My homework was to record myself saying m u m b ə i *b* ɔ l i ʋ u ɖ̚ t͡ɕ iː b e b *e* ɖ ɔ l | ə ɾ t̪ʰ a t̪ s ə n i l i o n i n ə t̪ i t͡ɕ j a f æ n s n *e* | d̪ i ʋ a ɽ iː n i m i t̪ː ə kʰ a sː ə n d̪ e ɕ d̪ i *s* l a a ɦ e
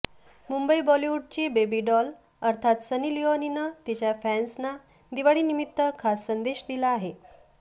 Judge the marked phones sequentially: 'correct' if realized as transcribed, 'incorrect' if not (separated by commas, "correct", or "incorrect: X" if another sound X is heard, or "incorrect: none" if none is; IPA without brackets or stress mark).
correct, incorrect: i, incorrect: a, incorrect: none